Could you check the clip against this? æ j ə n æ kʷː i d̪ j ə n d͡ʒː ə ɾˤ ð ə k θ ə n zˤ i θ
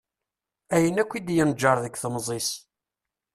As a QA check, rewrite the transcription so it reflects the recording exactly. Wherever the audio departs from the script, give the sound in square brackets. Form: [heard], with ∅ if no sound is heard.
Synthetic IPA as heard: æ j ə n æ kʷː i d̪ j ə n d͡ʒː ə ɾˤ ð ə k θ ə [m] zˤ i [s]